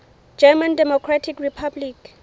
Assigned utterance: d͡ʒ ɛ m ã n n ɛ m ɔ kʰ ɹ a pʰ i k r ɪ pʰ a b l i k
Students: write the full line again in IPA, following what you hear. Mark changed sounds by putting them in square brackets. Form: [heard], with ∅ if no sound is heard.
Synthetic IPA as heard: d͡ʒ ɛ m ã n [d] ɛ m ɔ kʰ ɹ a [tʰ] i k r [i] pʰ a b l i k